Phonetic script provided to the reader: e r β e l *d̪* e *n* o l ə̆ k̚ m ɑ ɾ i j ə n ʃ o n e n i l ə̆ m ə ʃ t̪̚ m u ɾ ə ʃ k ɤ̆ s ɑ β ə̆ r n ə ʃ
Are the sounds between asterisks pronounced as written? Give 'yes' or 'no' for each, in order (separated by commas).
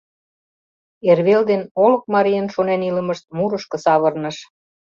yes, yes